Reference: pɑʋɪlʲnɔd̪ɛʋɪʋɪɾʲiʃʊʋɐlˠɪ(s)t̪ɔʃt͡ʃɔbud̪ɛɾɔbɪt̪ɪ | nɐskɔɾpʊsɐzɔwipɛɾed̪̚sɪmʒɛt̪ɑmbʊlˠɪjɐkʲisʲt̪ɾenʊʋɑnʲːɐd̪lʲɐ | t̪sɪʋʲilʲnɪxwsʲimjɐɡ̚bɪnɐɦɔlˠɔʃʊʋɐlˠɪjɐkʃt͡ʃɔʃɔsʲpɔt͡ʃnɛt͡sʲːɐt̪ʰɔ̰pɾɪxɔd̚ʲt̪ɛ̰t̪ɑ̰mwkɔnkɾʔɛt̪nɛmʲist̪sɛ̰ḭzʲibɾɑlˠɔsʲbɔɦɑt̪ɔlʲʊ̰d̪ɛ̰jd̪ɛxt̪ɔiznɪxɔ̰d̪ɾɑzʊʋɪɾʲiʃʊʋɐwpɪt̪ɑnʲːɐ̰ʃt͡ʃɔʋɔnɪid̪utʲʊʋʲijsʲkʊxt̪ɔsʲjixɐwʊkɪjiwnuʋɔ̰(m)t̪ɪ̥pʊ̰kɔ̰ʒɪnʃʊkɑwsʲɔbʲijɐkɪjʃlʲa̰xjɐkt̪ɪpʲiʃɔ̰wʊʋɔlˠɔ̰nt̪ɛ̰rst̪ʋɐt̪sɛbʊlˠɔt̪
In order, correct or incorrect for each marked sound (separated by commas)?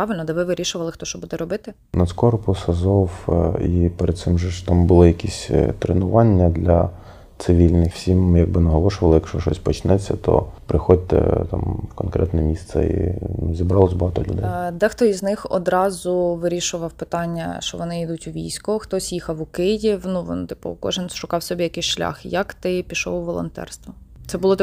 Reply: incorrect, incorrect